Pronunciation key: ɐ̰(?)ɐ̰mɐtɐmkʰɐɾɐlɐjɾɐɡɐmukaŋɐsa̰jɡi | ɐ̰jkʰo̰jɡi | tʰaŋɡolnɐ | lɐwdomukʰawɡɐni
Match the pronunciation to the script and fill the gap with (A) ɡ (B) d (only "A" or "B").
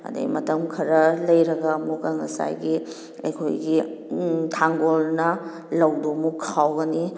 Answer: B